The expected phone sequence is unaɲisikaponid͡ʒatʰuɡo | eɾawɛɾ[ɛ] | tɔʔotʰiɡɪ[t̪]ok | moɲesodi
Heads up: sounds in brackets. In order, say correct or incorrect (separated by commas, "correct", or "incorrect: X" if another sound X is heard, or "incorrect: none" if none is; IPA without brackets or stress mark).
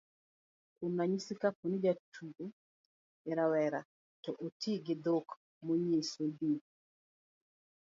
incorrect: a, incorrect: d̪